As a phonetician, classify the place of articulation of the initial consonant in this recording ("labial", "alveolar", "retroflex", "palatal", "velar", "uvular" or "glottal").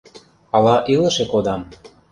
alveolar